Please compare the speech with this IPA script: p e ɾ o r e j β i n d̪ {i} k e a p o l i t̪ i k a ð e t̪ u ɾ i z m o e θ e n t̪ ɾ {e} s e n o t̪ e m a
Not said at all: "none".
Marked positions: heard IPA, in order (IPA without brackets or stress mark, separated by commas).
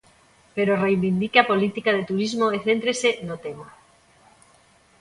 i, e